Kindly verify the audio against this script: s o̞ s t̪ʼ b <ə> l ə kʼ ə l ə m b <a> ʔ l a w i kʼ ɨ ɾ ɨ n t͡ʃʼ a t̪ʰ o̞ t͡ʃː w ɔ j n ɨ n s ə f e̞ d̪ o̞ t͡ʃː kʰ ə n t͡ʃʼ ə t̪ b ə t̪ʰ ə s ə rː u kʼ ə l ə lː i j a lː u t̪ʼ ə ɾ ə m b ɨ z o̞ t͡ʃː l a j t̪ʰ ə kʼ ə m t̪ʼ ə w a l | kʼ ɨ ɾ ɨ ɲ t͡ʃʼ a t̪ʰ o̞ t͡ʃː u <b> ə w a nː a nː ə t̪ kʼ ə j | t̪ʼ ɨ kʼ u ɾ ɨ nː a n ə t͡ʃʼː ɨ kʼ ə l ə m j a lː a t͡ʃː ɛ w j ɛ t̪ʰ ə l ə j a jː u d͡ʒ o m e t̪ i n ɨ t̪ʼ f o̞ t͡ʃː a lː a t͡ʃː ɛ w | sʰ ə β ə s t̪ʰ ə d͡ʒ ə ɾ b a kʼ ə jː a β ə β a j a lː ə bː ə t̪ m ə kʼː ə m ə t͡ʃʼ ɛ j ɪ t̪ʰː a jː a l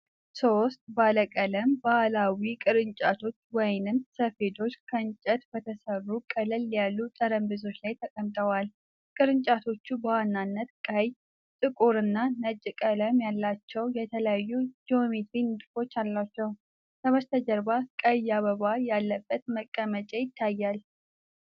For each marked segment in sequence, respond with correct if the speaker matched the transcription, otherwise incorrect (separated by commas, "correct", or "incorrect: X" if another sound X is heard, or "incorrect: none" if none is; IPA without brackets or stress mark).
incorrect: a, correct, correct